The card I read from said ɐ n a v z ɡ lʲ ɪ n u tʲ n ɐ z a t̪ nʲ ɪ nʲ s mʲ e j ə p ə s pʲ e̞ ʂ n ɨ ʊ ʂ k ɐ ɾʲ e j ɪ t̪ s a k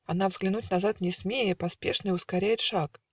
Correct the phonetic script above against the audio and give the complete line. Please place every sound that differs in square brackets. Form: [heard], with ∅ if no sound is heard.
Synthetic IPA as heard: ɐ n a v z ɡ lʲ ɪ n u tʲ n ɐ z a t̪ nʲ ɪ [∅] s mʲ e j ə p [ɐ] s pʲ e̞ ʂ n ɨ ʊ [s] k ɐ ɾʲ [æ] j ɪ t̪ [ʂ] a k